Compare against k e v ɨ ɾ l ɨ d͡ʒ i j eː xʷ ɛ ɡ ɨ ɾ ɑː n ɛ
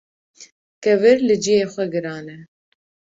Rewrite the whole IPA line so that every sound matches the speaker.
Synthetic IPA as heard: k ɛ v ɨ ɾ l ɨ d͡ʒ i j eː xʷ ɛ ɡ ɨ ɾ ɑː n ɛ